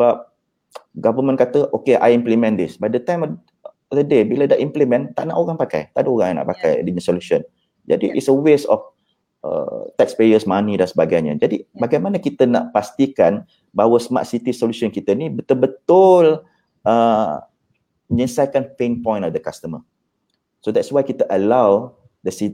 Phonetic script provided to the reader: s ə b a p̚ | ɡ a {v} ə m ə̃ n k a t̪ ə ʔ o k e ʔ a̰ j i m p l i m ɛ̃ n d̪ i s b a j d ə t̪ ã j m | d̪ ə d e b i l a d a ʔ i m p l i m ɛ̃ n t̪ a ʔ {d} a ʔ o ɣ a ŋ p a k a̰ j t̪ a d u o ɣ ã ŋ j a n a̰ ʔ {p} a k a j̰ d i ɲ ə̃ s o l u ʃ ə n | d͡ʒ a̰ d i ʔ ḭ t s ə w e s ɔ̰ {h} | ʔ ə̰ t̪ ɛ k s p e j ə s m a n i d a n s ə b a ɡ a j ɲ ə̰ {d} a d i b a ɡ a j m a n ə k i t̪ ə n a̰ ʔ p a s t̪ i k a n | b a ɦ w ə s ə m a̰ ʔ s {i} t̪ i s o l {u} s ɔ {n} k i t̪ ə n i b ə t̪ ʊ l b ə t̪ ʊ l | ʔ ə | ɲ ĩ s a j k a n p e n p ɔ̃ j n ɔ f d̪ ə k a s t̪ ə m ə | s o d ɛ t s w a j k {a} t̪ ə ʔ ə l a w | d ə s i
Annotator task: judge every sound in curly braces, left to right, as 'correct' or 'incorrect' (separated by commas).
correct, incorrect, correct, incorrect, incorrect, correct, correct, correct, incorrect